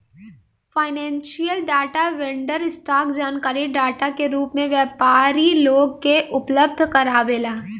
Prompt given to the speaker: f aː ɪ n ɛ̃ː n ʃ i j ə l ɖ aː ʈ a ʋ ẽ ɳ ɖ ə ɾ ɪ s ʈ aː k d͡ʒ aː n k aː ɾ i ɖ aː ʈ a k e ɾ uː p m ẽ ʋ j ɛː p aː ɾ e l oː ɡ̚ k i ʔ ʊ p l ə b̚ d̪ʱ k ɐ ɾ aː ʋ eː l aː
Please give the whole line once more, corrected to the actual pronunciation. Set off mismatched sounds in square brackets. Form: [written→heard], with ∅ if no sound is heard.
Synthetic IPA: f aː ɪ n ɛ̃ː n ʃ i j ə l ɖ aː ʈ a ʋ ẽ ɳ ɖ ə ɾ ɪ s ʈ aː k d͡ʒ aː n k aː ɾ i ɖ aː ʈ a k e ɾ uː p m ẽ ʋ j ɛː p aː ɾ [e→i] l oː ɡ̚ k [i→e] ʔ ʊ p l ə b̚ d̪ʱ k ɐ ɾ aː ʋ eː l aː